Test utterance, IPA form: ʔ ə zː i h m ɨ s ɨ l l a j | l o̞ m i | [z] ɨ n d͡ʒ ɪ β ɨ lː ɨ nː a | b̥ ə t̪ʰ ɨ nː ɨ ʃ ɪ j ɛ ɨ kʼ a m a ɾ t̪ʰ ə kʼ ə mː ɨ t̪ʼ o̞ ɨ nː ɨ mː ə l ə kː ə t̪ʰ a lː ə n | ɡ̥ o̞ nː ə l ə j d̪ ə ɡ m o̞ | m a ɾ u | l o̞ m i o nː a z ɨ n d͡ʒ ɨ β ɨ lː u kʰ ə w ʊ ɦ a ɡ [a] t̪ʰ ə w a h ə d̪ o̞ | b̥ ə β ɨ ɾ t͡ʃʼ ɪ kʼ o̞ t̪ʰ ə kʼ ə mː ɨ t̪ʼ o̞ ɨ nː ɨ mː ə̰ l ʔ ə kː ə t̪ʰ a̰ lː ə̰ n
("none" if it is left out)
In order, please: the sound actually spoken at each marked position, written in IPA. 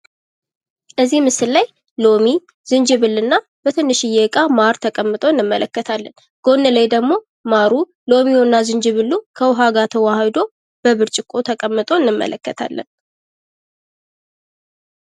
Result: z, a

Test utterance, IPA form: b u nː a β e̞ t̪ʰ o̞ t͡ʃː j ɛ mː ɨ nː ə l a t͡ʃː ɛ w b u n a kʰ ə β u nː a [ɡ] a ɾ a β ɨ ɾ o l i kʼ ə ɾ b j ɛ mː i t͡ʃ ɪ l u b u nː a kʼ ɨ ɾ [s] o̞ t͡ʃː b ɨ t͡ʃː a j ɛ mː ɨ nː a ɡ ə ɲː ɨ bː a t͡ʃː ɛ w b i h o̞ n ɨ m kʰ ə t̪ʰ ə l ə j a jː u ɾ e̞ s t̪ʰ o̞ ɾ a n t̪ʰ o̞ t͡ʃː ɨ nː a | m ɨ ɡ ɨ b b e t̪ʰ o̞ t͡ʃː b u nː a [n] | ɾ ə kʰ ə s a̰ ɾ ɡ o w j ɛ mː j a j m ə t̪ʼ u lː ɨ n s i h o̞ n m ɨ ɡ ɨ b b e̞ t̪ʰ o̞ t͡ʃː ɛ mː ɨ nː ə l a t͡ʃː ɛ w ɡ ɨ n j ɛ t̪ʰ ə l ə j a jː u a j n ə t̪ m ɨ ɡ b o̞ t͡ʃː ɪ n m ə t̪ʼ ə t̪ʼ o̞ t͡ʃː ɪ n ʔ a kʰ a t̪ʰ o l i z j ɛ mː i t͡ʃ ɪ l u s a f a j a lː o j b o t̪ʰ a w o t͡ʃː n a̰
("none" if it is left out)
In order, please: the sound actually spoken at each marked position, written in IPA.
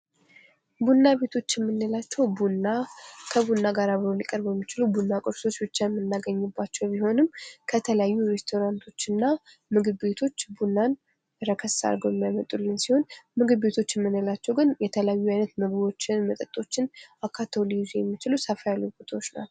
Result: ɡ, s, n

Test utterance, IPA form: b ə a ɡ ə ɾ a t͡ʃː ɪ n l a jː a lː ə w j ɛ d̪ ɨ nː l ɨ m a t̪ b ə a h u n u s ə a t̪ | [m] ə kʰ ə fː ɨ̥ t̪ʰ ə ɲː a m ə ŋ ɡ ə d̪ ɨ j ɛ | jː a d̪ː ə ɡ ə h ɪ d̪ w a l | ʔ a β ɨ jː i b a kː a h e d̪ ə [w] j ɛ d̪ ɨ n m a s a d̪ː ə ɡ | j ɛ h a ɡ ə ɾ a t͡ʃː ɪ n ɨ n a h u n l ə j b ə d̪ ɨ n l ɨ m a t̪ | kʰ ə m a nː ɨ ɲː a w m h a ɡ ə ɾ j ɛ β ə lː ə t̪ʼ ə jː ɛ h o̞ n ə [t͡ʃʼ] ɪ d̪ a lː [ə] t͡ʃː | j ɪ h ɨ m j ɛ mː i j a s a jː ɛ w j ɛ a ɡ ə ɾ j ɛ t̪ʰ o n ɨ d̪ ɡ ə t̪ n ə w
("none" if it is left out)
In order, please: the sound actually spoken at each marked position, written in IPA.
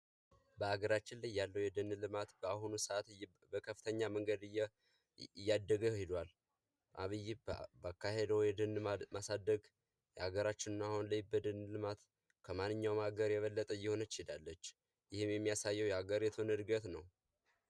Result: b, w, t͡ʃ, ə

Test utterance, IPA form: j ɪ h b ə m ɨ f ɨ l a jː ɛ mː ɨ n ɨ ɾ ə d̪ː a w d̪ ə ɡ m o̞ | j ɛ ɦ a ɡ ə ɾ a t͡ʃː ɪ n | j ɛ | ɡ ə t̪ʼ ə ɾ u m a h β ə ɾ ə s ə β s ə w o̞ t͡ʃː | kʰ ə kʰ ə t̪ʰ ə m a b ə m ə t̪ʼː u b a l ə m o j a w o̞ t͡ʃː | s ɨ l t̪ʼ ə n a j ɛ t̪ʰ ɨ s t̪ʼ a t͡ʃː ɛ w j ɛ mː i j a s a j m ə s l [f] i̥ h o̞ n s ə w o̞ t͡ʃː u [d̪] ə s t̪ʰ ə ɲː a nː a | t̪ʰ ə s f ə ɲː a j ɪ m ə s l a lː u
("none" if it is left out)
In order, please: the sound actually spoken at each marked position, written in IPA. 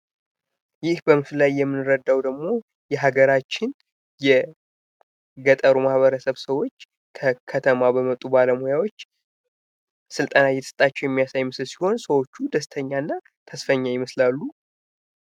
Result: s, d̪

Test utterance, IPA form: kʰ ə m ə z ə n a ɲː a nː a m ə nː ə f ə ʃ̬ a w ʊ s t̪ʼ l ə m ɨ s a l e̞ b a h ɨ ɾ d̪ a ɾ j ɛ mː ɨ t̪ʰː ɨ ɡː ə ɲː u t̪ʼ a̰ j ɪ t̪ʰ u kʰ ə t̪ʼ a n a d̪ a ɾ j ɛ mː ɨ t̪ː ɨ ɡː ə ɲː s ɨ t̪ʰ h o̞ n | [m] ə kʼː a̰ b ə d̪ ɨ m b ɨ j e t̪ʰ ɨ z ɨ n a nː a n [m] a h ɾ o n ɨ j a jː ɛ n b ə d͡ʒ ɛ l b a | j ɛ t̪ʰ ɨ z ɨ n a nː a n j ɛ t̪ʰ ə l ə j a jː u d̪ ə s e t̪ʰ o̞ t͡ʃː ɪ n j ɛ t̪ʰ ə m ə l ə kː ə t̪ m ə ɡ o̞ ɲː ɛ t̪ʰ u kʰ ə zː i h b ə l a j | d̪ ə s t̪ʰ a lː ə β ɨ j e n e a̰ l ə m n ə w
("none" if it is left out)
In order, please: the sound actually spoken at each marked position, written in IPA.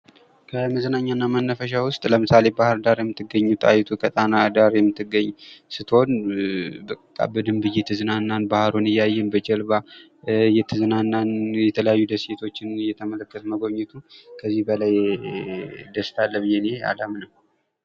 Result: b, b

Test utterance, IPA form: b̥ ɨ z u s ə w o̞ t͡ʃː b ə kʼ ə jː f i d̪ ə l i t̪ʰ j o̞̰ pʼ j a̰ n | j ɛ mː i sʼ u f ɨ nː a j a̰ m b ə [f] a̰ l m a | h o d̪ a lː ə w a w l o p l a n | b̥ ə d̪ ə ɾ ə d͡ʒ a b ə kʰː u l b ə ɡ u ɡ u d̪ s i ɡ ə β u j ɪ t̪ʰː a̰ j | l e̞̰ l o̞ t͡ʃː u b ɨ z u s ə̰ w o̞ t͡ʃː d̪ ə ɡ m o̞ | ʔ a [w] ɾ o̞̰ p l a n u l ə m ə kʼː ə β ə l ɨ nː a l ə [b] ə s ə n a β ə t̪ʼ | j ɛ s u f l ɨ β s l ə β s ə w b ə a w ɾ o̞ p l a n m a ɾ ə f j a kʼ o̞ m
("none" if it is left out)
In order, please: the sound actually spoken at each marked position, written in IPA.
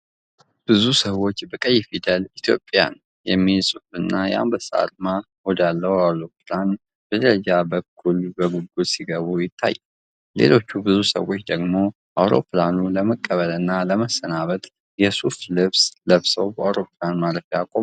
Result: s, w, m

